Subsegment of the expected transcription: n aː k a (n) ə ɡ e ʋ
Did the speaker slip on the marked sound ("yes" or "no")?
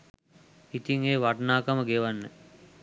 yes